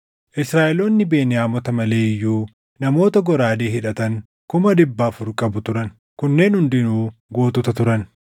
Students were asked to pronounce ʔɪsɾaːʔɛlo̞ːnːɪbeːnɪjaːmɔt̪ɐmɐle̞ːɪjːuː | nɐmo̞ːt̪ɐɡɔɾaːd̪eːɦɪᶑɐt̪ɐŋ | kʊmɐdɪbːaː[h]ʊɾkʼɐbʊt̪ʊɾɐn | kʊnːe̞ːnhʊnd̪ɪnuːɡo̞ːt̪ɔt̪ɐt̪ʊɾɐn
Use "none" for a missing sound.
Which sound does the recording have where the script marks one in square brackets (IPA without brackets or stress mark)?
f